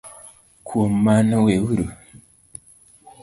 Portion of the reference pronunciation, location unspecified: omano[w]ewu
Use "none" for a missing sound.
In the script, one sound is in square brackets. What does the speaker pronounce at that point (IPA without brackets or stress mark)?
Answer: w